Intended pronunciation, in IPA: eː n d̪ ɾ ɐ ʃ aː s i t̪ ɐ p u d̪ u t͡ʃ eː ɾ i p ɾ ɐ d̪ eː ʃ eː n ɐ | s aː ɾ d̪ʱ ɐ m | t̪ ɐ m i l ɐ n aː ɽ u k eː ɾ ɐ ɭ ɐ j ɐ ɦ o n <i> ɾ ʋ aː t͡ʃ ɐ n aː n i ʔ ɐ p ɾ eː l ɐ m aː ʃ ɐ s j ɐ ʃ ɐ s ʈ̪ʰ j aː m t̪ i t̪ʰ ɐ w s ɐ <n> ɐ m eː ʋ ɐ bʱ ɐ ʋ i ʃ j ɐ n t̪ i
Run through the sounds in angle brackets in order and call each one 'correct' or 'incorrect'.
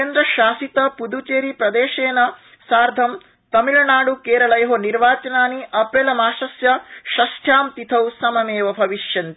correct, incorrect: m

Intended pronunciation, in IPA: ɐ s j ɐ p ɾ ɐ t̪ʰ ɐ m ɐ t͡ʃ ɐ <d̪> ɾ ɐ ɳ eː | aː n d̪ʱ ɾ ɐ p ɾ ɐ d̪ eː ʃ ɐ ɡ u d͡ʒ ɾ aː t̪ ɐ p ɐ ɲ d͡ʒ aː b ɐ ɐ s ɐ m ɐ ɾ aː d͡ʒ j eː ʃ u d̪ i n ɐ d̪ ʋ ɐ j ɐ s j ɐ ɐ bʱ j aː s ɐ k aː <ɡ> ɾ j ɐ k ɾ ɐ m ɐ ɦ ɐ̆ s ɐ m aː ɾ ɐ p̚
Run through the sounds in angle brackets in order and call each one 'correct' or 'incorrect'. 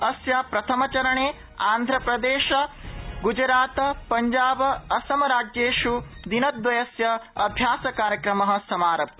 incorrect: none, incorrect: none

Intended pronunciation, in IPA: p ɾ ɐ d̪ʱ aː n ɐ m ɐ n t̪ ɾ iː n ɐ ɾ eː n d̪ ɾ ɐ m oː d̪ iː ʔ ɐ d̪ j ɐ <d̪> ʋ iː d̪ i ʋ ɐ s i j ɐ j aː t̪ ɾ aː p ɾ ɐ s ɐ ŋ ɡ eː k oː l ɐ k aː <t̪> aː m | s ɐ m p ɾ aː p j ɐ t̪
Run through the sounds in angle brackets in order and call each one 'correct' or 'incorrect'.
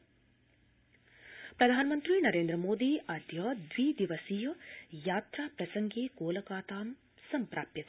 correct, correct

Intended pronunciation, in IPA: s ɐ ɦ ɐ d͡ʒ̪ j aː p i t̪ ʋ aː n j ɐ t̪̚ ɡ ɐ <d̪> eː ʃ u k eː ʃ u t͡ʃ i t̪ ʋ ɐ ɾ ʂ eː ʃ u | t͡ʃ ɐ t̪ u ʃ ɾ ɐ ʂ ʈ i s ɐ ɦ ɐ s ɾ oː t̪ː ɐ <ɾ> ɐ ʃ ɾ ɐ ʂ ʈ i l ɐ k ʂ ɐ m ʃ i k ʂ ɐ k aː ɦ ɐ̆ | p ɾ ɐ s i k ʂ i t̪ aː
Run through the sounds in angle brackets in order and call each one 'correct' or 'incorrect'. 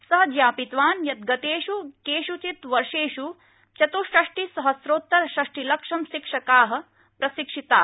incorrect: t̪, correct

